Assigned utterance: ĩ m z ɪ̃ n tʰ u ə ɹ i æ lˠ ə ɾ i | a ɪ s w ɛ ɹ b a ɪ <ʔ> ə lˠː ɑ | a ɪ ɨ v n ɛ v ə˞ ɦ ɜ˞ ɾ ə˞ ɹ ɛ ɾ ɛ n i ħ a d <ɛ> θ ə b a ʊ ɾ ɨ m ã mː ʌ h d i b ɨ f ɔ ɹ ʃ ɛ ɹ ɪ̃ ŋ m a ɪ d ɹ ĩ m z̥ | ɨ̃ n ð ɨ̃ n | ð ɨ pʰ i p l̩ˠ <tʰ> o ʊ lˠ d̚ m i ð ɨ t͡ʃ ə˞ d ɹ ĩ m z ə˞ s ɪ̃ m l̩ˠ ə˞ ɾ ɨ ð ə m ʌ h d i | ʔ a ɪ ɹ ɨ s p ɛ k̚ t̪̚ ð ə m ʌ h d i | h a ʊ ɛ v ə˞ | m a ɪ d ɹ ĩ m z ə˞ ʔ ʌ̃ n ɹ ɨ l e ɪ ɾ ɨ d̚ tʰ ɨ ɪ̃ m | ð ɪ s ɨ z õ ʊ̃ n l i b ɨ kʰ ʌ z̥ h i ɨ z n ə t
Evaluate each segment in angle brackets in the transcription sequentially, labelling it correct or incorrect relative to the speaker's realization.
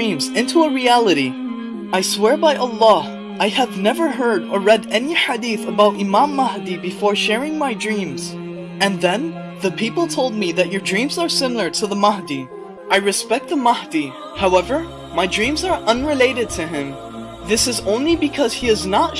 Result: correct, incorrect: i, correct

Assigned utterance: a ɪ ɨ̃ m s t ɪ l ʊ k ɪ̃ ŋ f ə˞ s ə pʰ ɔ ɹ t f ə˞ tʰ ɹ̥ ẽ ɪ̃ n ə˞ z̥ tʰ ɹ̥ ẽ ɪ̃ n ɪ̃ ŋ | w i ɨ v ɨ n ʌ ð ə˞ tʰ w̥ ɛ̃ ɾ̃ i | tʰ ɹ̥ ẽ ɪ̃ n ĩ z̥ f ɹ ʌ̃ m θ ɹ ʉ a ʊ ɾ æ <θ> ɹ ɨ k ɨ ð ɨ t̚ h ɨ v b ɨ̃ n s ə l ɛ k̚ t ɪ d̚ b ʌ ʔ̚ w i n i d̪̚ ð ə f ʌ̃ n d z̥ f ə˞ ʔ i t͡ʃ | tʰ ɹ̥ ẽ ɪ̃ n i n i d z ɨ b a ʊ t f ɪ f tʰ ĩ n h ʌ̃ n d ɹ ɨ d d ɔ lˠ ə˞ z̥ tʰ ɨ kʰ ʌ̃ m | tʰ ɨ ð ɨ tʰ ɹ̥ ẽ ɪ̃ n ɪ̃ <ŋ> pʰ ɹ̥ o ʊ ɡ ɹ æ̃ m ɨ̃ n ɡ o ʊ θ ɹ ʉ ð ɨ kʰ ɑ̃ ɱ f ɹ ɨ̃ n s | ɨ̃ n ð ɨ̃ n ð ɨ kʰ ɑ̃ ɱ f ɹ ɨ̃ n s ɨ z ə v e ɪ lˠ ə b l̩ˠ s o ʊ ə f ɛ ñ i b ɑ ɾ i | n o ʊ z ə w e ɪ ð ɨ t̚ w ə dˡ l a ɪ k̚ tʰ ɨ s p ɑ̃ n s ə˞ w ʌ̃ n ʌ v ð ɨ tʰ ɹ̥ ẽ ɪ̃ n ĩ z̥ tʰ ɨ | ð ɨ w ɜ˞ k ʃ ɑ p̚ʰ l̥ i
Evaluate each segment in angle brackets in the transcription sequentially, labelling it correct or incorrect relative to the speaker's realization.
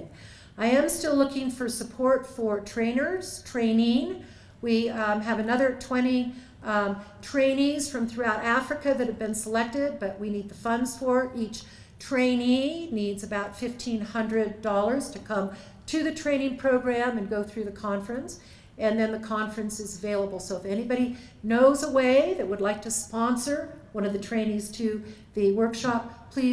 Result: incorrect: f, correct

